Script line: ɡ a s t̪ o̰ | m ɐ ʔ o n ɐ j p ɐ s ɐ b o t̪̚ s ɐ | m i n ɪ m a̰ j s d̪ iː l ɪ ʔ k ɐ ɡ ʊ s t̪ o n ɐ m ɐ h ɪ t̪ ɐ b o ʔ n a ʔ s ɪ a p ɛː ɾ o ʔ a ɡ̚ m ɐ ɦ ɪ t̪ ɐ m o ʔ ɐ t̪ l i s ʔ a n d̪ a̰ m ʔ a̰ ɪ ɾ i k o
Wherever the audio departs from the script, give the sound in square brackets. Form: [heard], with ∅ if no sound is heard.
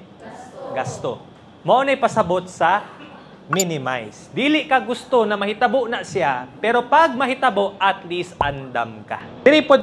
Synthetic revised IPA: ɡ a s t̪ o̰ | m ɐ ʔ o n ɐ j p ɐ s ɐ b o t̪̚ s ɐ | m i n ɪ m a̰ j s d̪ iː l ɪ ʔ k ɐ ɡ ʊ s t̪ o n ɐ m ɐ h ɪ t̪ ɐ b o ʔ n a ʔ s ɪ a p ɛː ɾ o [p] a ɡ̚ m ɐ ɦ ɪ t̪ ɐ [b] o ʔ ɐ t̪ l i s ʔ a n d̪ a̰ m [k] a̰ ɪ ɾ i [p] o